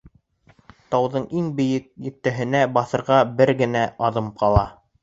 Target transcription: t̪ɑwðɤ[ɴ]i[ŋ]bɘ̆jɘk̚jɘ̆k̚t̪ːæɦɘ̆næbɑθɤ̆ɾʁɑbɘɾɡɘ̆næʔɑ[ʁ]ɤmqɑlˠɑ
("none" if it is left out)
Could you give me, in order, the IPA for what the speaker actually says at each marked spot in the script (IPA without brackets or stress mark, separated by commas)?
ɴ, ŋ, ð